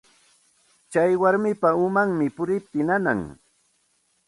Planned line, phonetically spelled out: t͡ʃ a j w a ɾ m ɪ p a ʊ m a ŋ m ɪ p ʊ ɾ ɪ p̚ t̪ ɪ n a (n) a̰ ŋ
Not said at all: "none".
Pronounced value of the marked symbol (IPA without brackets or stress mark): n